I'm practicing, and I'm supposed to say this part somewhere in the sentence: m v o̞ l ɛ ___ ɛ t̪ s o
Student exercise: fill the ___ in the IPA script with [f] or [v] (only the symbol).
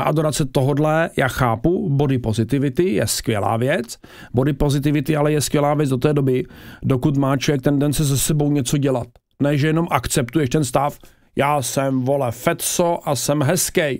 f